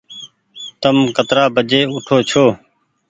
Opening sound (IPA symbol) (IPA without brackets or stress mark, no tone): t̪